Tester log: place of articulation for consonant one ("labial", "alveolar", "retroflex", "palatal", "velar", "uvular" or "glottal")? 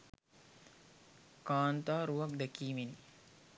velar